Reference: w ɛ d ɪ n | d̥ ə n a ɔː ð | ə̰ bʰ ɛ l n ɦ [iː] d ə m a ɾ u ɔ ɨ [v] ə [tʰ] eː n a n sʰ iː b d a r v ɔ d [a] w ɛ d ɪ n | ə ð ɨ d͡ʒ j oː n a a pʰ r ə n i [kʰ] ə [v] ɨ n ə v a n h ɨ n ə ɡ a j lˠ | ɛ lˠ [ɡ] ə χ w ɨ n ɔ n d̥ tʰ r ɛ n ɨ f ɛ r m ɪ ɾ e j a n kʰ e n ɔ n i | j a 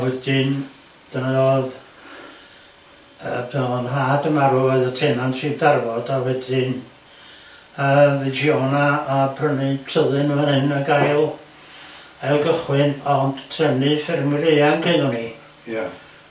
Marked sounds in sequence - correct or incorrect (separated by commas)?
incorrect, incorrect, correct, correct, incorrect, incorrect, correct